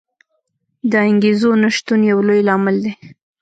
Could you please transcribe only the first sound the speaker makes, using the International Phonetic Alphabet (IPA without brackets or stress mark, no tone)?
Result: d̪